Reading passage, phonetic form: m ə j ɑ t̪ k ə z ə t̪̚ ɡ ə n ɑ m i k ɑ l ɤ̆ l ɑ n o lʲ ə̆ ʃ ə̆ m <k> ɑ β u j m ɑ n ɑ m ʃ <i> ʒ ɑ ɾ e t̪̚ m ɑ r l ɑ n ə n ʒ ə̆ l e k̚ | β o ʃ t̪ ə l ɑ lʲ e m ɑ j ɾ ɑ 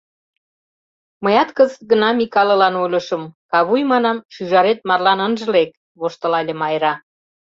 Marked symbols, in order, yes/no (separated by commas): yes, no